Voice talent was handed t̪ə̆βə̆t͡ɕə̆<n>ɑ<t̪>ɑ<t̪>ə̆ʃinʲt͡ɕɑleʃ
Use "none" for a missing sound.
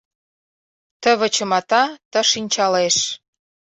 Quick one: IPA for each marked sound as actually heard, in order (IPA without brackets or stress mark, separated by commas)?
m, t̪, t̪